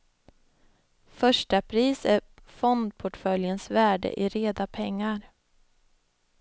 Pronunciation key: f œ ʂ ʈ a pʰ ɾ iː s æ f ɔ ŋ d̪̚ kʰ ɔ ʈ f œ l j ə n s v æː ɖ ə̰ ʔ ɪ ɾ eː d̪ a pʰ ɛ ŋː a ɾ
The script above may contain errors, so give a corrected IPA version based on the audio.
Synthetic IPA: f œ ʂ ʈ a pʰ ɾ iː s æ f ɔ n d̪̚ pʰ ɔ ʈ f œ l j ə n s v æː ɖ ə̰ ʔ ɪ ɾ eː d̪ a pʰ ɛ ŋː a ɾ